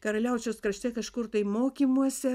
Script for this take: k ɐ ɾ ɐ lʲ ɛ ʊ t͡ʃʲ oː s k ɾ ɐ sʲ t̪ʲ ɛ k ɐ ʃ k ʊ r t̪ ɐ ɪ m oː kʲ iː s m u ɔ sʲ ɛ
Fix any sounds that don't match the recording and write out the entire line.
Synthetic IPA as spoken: k ɐ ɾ ɐ lʲ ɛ ʊ t͡ʃʲ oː s k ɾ ɐ ʃʲ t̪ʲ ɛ k ɐ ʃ k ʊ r t̪ ɐ ɪ m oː kʲ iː m u ɔ sʲ ɛ